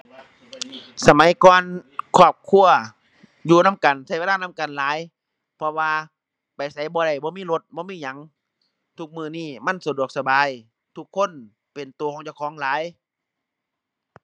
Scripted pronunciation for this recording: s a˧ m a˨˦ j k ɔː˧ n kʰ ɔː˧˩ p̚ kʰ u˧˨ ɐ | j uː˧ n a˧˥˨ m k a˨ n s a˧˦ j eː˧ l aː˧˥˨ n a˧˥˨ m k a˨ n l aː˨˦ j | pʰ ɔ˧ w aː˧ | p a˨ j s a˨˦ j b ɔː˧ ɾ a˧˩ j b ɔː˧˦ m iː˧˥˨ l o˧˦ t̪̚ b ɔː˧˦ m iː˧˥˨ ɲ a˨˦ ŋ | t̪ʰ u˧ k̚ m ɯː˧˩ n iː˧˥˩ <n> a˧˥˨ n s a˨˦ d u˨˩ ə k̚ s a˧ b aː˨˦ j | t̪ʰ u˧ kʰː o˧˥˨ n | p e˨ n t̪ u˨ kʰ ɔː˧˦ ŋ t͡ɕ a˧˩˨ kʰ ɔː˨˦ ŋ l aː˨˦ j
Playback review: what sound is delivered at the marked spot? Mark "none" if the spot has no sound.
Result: m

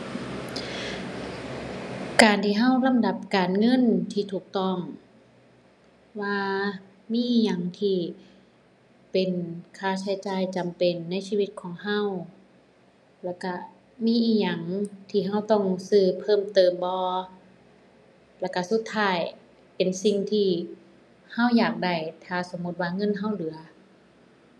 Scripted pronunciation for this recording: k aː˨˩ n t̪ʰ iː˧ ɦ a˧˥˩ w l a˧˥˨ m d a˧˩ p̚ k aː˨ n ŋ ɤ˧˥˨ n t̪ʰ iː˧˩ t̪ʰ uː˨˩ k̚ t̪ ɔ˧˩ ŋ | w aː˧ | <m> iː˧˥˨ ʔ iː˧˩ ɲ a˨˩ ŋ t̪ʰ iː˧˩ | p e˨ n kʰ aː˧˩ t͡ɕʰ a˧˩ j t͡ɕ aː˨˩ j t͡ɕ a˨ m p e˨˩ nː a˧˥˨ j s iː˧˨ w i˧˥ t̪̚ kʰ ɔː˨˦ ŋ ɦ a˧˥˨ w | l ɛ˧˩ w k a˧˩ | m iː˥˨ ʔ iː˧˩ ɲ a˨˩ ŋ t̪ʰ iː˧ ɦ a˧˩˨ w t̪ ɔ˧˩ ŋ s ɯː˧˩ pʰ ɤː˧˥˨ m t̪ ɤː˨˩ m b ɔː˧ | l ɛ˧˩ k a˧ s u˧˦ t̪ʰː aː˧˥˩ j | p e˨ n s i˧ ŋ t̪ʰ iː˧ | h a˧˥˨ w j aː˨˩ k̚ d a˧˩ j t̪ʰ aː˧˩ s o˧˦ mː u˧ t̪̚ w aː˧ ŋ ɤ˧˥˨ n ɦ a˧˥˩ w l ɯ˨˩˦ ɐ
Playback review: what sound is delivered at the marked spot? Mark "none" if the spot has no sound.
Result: m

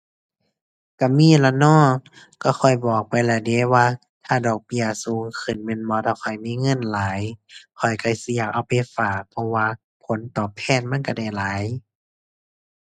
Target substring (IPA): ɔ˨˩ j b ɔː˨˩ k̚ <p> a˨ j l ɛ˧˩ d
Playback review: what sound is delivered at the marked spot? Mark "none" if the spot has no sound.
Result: p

